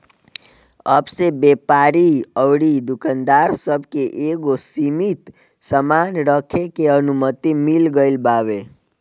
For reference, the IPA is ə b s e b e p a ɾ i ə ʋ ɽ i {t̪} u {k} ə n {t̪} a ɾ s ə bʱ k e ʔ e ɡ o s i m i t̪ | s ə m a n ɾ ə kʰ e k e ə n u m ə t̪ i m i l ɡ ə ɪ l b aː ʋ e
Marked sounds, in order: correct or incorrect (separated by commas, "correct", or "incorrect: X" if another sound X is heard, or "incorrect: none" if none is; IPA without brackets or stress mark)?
incorrect: d̪, correct, incorrect: d̪